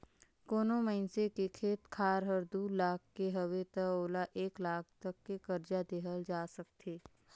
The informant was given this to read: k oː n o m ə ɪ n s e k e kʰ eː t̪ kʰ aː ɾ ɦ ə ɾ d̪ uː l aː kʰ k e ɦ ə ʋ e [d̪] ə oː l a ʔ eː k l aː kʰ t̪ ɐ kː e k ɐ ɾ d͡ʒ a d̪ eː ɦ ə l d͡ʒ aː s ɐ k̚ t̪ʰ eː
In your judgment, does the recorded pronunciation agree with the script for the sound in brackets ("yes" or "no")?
no